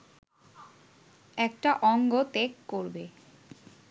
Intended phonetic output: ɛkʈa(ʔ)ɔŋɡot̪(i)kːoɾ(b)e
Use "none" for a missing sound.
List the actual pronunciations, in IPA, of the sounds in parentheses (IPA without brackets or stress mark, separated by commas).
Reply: ʔ, e, b